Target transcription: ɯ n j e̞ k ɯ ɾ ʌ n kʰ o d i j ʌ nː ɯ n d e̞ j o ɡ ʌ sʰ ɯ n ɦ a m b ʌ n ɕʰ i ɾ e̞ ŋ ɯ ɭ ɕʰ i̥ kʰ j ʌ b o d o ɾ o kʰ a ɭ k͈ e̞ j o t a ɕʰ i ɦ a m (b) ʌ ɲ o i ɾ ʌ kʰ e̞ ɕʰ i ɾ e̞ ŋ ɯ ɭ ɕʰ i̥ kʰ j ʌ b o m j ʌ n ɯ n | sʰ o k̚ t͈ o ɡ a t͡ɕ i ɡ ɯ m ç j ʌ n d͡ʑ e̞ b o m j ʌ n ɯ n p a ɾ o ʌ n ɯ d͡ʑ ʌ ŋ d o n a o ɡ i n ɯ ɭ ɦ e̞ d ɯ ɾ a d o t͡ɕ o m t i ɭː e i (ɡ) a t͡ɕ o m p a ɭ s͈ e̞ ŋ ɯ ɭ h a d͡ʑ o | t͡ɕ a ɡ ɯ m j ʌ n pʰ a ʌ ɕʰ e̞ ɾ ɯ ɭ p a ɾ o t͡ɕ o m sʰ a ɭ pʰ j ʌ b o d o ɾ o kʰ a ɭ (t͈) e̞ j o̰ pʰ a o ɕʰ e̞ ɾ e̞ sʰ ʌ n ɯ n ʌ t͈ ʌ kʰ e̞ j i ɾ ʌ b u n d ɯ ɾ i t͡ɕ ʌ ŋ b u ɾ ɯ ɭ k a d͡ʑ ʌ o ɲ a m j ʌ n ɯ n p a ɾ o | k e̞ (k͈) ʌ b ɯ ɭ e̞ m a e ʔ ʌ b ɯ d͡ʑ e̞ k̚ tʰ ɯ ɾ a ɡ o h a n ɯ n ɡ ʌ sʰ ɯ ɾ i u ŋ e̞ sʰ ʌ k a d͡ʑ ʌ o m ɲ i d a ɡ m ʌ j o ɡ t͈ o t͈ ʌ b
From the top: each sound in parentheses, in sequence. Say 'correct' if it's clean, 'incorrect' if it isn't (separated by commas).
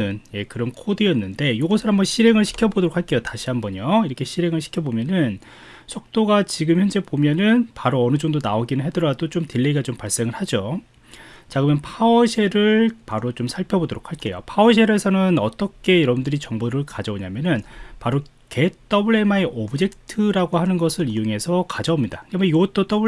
correct, correct, incorrect, incorrect